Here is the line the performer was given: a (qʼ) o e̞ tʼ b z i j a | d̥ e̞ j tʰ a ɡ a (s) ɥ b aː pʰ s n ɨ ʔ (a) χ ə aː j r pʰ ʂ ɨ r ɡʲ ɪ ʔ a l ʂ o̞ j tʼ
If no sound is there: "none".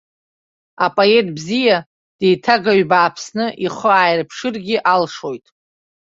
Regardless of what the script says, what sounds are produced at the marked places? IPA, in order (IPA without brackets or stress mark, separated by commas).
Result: pʼ, none, i